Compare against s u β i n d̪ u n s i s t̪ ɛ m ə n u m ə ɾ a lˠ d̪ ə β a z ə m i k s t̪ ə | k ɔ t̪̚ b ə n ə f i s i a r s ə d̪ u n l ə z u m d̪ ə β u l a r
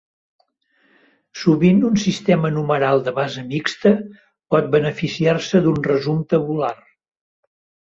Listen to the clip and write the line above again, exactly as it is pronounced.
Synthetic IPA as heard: s u β i n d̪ u n s i s t̪ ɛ m ə n u m ə ɾ a lˠ d̪ ə β a z ə m i k s t̪ ə | p ɔ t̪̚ b ə n ə f i s i a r s ə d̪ u n r ə z u m t̪ ə β u l a r

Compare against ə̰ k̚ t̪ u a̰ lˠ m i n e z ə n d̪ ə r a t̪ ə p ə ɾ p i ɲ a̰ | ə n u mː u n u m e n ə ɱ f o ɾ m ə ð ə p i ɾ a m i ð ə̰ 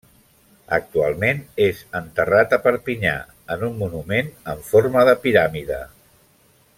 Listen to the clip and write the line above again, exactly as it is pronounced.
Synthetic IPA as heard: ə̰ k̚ t̪ u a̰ lˠ m e n e z ə n t̪ ə r a t̪ ə p ə ɾ p i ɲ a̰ | ə n u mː u n u m e n ə ɱ f o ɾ m ə ð ə p i ɾ a m i ð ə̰

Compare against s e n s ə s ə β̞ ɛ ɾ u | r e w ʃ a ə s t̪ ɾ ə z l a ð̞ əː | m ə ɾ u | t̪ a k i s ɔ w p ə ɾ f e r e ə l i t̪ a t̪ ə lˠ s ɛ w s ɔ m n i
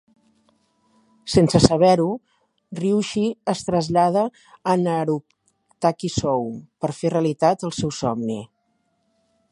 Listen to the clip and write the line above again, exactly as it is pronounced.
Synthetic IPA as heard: s e n s ə s ə β̞ ɛ ɾ u | r i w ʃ i ə s t̪ ɾ ə z ʎ a ð̞ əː | n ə ɾ u | t̪ a k i s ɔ w p ə ɾ f e r e ə l i t̪ a t̪ ə lˠ s ɛ w s ɔ m n i

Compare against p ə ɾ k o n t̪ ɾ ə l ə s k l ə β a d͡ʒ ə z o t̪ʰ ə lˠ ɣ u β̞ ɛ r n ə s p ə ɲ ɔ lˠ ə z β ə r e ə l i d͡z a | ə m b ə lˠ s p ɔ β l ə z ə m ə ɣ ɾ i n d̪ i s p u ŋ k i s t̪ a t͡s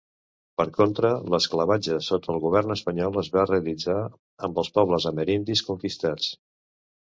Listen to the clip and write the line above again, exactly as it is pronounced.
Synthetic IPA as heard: p ə ɾ k o n t̪ ɾ ə l ə s k l ə β a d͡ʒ ə s o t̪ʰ ə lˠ ɣ u β̞ ɛ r n ə s p ə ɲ ɔ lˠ ə z β a r e ə l i d͡z a | ə m b ə lˠ s p ɔ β l ə z ə m ə ɾ i n d̪ i s k u ŋ k i s t̪ a t͡s

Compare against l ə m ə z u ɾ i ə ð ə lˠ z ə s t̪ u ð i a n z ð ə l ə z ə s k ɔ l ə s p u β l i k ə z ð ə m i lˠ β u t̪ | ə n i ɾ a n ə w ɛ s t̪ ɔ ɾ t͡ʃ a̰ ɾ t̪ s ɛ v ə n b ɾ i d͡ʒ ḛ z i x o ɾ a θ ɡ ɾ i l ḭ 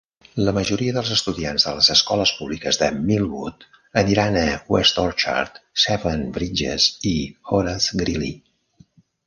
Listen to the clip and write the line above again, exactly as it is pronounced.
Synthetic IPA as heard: l ə m ə ʒ u ɾ i ə ð ə lˠ z ə s t̪ u ð i a n z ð ə l ə z ə s k ɔ l ə s p u β l i k ə z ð ə m i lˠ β u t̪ | ə n i ɾ a n ə w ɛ s t̪ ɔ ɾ t͡ʃ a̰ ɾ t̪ s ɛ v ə n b ɾ i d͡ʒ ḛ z i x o ɾ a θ ɡ ɾ i l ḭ

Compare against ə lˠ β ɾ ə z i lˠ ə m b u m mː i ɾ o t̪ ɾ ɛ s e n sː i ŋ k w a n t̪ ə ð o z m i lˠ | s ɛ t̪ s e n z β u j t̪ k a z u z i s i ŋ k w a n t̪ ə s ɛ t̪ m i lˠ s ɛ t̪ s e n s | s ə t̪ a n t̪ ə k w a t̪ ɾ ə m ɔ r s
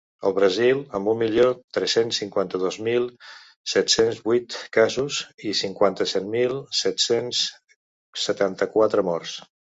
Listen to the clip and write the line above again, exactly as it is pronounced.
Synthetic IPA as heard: ə lˠ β ɾ ə z i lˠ ə m b u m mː i ʎ o t̪ ɾ ɛ s e n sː i ŋ k w a n t̪ ə ð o z m i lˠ | s ɛ t̪ s e n z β u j t̪ k a z u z i s i ŋ k w a n t̪ ə s ɛ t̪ m i lˠ s ɛ t̪ s e n s | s ə t̪ a n t̪ ə k w a t̪ ɾ ə m ɔ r s

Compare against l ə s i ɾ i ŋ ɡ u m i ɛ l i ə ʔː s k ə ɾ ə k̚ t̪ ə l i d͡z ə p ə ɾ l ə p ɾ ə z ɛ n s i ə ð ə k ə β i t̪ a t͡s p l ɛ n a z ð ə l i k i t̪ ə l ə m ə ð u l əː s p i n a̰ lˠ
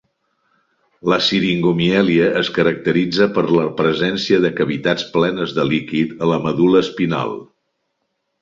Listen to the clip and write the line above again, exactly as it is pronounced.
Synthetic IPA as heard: l ə s i ɾ i ŋ ɡ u m i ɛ l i ə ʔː s k ə ɾ ə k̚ t̪ ə ɾ i d͡z ə p ə ɾ l ə p ɾ ə z ɛ n s i ə ð ə k ə β i t̪ a t͡s p l ɛ n ə z ð ə l i k i t̪ ə l ə m ə ð u l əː s p i n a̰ lˠ

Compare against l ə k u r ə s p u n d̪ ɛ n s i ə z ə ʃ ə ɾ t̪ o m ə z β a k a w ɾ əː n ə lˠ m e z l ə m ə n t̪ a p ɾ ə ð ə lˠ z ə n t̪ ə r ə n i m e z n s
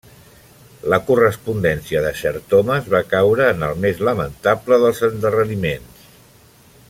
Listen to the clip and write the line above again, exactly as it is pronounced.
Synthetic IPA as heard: l ə k u r ə s p u n d̪ ɛ n s i ə ð ə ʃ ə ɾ t̪ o m ə z β a k a w ɾ əː n ə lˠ m e z l ə m ə n t̪ a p l ə ð ə lˠ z ə n d̪ ə r ə n i m e n s

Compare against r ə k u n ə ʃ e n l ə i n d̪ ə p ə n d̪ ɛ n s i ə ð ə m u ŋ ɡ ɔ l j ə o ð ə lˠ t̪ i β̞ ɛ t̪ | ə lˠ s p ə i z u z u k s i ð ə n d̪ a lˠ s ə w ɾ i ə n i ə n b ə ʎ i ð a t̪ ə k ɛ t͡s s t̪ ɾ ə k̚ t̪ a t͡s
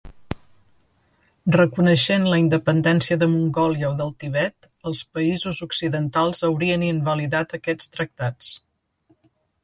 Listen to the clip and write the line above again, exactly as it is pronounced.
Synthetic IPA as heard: r ə k u n ə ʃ e n l ə i n d̪ ə p ə n d̪ ɛ n s i ə ð ə m u ŋ ɡ ɔ l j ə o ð ə lˠ t̪ i β̞ ɛ t̪ | ə lˠ s p ə i z u z u k s i ð ə n t̪ a lˠ z ə w ɾ i ə n i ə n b ə l i ð a t̪ ə k ɛ t͡s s t̪ ɾ ə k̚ t̪ a t͡s

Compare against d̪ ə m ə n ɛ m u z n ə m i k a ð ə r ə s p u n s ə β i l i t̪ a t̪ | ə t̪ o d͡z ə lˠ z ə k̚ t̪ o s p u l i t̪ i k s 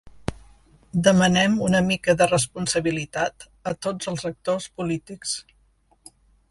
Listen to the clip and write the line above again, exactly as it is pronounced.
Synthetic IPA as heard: d̪ ə m ə n ɛ m u n ə m i k ə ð ə r ə s p u n s ə β i l i t̪ a t̪ | ə t̪ o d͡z ə lˠ z ə k̚ t̪ o s p u l i t̪ i k s

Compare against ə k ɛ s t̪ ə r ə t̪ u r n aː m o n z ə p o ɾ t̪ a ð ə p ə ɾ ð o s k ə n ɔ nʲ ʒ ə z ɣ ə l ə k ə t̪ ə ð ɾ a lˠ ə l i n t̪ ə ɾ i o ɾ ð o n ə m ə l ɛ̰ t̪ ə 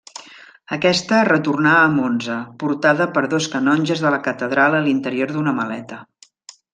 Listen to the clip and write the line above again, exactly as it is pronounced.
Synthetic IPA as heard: ə k ɛ s t̪ ə r ə t̪ u r n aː m o n z ə p u ɾ t̪ a ð ə p ə ɾ ð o s k ə n ɔ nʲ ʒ ə z ð ə l ə k ə t̪ ə ð ɾ a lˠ ə l i n t̪ ə ɾ i o ɾ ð u n ə m ə l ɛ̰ t̪ ə

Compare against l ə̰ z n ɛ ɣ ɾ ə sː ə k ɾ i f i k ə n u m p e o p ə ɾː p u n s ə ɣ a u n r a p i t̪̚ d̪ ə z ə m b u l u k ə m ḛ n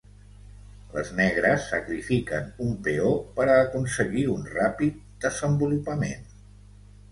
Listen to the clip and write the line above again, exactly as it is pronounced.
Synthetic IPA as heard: l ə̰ z n ɛ ɣ ɾ ə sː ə k ɾ i f i k ə n u m p e o p ə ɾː k u n s ə ɣ i u n r a p i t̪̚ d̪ ə z ə m b u l u p ə m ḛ n

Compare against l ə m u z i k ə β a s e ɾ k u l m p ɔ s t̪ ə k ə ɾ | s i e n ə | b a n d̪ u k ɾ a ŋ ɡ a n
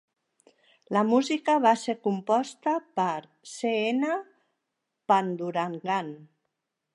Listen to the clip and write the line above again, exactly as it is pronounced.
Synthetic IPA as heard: l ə m u z i k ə β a s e ɾ k u m p ɔ s t̪ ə p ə ɾ | s e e n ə | p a n d̪ u ɾ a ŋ ɡ a n

